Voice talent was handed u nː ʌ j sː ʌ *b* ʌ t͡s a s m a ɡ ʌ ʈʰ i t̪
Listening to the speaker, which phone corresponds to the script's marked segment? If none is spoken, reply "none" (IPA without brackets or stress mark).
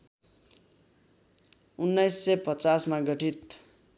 p